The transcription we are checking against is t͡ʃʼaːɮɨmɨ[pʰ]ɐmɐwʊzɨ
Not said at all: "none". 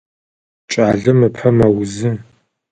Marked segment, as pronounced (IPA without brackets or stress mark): pʰ